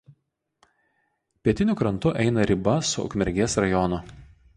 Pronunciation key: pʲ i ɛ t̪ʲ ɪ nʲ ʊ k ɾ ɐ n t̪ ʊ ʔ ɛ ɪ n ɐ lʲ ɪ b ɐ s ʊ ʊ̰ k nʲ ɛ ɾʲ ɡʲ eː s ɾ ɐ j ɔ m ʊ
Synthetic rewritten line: pʲ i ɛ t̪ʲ ɪ nʲ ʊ k ɾ ɐ n t̪ ʊ ʔ ɛ ɪ n ɐ ɾʲ ɪ b ɐ s ʊ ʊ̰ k mʲ ɛ ɾʲ ɡʲ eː s ɾ ɐ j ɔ n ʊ